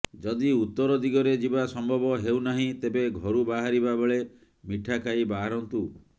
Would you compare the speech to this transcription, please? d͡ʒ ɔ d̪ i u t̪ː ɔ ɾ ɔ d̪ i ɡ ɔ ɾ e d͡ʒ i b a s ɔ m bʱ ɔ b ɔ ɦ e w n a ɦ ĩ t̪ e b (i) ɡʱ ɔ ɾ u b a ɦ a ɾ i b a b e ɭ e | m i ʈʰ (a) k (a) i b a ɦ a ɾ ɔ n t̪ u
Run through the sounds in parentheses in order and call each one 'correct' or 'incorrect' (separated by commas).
incorrect, correct, correct